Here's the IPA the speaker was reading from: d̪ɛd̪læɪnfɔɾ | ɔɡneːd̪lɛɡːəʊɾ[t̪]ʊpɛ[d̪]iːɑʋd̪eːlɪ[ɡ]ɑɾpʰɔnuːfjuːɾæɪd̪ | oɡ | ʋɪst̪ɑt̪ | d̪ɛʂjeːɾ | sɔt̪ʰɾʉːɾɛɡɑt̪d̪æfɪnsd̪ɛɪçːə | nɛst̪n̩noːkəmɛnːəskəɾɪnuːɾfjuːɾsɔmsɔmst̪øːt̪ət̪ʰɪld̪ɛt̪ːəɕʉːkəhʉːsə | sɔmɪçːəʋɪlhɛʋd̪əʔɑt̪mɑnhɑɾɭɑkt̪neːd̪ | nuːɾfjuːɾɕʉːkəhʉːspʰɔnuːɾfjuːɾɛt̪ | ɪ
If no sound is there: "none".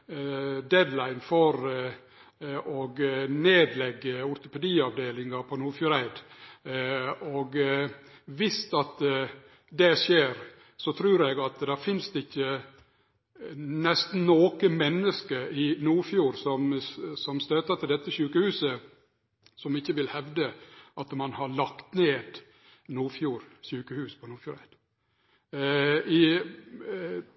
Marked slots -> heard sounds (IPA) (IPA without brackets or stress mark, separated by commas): t̪, d̪, ŋ